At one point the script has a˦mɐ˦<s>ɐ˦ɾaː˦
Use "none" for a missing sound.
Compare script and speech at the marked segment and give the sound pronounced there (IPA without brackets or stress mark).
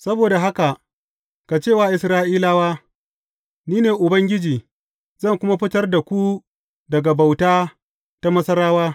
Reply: s